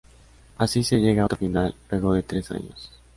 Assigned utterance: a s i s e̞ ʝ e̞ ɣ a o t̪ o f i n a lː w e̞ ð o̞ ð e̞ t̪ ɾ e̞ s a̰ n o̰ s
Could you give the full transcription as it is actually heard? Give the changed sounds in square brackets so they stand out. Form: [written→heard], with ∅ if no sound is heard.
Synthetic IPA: a s i s e̞ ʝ e̞ ɣ a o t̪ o f i n a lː w e̞ [ð→ɣ] o̞ ð e̞ t̪ ɾ e̞ s a̰ [n→ɲ] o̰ s